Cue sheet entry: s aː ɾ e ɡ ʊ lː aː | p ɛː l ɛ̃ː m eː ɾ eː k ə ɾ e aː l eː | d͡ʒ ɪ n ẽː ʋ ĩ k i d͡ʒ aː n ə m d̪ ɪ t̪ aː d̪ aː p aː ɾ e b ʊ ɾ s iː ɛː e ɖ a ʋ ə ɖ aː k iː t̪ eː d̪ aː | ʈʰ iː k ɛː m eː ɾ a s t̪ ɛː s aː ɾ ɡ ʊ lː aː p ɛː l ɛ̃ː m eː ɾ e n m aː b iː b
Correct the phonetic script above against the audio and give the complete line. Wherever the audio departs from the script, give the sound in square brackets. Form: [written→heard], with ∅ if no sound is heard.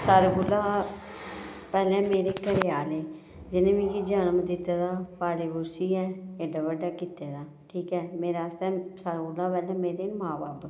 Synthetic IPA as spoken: s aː ɾ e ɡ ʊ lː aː | p ɛː l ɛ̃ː m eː ɾ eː k ə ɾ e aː l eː | d͡ʒ ɪ n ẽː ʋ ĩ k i d͡ʒ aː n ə m d̪ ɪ t̪ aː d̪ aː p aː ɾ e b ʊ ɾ s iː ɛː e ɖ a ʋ ə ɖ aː k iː t̪ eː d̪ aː | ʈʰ iː k ɛː m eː ɾ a s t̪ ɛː s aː ɾ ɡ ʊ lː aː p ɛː l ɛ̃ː m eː ɾ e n m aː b [iː→aː] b